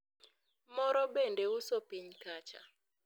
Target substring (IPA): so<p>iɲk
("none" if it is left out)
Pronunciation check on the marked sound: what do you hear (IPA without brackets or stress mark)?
p